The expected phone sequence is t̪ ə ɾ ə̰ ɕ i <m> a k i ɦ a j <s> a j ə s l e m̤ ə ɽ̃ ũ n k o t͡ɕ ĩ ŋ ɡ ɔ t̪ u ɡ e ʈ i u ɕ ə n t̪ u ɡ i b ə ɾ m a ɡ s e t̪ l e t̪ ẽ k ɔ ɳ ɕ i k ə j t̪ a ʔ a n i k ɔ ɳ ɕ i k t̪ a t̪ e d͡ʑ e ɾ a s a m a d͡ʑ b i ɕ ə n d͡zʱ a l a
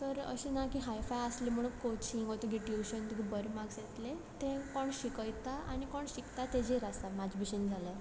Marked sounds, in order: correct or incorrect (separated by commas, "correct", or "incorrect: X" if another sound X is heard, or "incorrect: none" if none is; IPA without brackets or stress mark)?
incorrect: n, incorrect: f